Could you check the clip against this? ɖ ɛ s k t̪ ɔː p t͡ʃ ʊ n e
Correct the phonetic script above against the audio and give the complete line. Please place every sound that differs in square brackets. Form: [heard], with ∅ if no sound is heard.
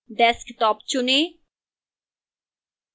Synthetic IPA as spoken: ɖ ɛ s k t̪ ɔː p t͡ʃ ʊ n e